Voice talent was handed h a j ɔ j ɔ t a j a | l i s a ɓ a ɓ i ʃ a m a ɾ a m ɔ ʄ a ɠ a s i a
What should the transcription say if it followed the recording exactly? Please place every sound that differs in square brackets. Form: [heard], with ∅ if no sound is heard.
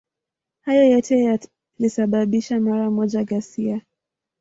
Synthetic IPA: h a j ɔ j ɔ t [ɛ] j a | l i s a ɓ a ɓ i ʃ a m a ɾ a m ɔ ʄ a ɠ a s i a